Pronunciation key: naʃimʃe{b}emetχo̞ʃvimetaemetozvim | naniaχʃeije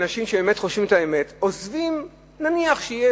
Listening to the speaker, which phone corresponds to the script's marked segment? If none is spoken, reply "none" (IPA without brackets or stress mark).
b